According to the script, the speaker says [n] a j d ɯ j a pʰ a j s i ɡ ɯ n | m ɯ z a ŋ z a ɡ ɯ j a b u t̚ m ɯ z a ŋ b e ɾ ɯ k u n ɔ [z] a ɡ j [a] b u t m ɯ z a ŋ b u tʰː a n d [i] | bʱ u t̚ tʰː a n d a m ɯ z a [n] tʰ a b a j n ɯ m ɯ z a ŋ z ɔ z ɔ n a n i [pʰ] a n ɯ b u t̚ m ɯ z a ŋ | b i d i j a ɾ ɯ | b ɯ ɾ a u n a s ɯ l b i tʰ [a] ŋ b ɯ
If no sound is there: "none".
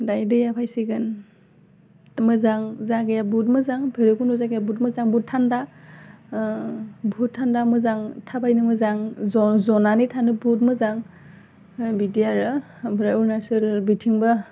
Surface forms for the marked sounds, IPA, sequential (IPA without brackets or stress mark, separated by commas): d, z, a, a, ŋ, tʰ, i